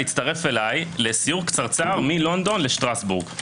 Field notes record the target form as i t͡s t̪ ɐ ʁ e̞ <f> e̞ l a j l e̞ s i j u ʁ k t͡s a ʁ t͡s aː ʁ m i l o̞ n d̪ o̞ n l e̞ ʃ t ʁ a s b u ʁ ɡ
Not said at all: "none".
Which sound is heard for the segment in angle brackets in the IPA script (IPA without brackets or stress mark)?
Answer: f